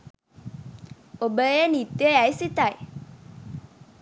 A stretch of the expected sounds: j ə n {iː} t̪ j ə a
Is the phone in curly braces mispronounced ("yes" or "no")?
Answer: yes